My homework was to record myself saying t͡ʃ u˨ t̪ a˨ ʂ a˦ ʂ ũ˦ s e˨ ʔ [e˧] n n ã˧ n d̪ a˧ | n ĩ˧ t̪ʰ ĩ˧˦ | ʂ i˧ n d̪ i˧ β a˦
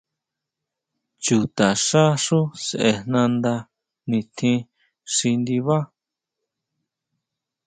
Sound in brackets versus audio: correct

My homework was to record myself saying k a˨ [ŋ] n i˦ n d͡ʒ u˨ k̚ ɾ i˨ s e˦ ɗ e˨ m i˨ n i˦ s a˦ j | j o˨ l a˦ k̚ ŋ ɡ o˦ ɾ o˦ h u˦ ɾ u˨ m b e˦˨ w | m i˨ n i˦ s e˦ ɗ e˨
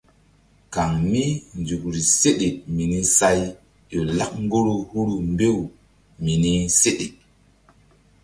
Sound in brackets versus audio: correct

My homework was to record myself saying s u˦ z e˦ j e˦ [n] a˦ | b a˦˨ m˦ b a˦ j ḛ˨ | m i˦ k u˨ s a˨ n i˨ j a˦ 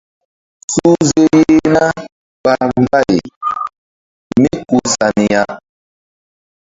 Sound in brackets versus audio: correct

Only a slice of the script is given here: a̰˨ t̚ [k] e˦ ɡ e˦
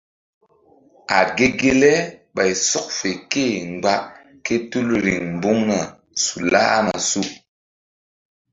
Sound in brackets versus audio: incorrect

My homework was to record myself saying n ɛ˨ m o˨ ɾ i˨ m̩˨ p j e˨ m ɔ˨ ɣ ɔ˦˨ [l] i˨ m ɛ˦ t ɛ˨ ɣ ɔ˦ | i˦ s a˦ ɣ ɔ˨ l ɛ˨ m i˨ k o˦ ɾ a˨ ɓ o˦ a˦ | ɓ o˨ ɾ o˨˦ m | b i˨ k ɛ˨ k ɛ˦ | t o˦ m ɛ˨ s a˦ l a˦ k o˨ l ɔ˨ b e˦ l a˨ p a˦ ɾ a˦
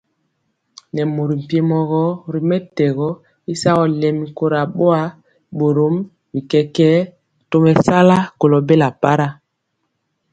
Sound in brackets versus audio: incorrect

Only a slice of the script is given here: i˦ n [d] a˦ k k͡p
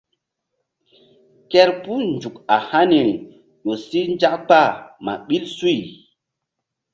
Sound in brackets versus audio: incorrect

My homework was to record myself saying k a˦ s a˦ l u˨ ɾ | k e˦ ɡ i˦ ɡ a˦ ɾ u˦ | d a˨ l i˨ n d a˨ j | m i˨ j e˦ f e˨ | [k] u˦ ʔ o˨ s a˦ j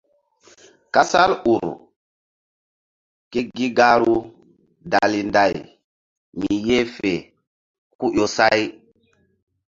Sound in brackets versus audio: correct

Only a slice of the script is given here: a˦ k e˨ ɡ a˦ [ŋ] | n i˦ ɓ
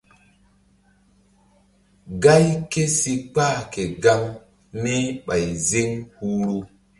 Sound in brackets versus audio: correct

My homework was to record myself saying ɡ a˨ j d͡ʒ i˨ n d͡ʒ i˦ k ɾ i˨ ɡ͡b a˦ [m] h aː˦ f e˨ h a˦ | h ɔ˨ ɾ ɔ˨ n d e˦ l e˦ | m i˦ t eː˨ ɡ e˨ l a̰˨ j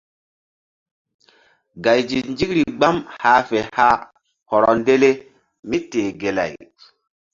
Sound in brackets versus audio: correct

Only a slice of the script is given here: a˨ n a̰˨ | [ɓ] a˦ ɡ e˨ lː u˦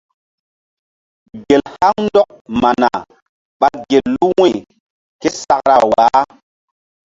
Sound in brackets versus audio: correct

